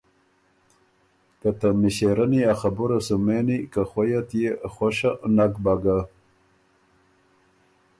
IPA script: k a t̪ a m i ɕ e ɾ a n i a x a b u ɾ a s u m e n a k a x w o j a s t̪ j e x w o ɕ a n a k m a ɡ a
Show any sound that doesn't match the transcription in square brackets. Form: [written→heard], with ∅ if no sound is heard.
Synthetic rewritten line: k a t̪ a m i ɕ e ɾ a n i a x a b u ɾ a s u m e n [a→i] k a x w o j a [s→∅] t̪ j e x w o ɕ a n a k [m→b] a ɡ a